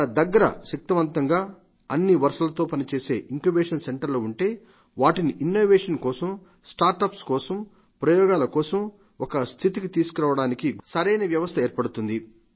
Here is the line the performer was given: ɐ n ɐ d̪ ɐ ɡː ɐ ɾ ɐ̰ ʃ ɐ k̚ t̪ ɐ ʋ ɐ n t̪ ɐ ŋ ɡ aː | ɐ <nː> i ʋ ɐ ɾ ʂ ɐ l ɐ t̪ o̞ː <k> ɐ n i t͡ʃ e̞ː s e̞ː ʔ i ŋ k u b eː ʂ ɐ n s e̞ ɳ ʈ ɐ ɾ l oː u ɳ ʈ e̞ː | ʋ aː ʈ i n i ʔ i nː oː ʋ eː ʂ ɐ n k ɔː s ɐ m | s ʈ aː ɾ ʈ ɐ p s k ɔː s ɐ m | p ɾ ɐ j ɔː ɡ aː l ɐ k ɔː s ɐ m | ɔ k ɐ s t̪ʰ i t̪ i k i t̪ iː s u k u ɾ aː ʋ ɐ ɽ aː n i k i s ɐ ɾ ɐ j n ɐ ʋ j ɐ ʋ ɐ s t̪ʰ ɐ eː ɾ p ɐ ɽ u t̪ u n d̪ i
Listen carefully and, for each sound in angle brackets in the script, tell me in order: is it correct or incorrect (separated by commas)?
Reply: correct, incorrect